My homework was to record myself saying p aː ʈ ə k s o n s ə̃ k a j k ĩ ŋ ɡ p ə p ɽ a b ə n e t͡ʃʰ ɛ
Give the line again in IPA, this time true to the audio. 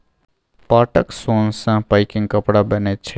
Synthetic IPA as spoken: p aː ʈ ə k s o n s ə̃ p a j k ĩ ŋ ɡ k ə p ɽ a b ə n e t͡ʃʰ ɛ